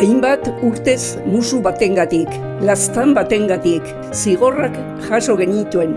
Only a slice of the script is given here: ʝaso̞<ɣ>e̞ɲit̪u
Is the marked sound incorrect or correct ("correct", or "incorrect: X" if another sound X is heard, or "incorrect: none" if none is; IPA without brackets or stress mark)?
correct